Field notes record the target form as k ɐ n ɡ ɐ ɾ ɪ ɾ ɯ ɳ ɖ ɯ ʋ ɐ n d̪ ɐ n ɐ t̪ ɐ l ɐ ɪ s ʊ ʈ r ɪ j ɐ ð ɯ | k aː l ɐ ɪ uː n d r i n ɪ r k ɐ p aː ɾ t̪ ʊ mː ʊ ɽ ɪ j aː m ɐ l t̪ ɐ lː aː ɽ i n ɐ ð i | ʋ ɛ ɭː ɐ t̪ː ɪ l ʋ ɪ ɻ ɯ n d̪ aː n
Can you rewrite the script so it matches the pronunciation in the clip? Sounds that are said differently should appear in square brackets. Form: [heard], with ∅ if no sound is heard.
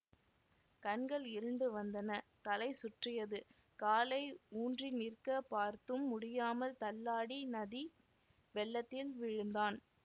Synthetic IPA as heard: k ɐ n ɡ ɐ [ɭ] ɪ ɾ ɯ ɳ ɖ ɯ ʋ ɐ n d̪ ɐ n ɐ t̪ ɐ l ɐ ɪ s ʊ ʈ r ɪ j ɐ ð ɯ | k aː l ɐ ɪ uː n d r i n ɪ r k ɐ p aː ɾ t̪ [ɯ] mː ʊ ɽ ɪ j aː m ɐ l t̪ ɐ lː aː ɽ i n ɐ ð i | ʋ ɛ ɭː ɐ t̪ː ɪ l ʋ ɪ ɻ ɯ n d̪ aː n